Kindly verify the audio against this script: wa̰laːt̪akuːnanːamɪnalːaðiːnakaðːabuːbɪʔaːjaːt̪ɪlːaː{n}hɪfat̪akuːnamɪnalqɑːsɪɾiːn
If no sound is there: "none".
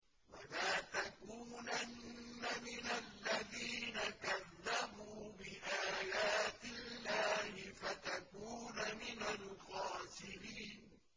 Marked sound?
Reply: none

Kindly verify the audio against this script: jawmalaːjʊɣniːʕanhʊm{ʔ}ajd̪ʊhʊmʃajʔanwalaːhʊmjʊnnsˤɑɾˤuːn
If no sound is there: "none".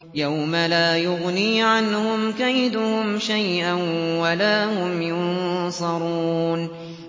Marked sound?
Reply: k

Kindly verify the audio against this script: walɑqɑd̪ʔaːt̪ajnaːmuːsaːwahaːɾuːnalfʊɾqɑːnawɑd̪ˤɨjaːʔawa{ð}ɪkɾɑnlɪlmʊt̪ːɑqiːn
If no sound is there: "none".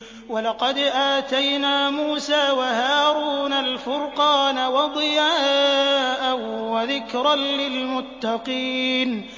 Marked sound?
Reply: ð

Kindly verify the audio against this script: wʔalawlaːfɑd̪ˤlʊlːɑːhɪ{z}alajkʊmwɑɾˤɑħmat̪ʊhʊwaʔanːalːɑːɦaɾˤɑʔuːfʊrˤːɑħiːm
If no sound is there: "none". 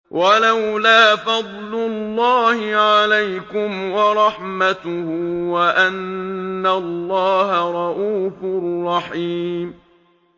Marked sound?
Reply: ʕ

